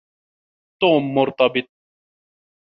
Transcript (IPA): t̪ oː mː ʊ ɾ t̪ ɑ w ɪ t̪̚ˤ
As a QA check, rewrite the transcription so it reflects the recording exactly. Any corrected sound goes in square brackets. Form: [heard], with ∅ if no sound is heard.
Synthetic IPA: t̪ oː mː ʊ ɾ t̪ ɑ [b] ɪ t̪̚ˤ